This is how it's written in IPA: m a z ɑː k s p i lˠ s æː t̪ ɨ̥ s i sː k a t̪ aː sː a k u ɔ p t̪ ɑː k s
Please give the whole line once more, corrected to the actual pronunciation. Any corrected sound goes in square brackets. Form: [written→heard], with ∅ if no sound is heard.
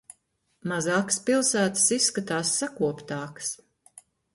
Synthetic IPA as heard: m a z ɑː k s p i lˠ s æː t̪ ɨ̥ s i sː k a t̪ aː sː a k u ɔ p t̪ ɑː k s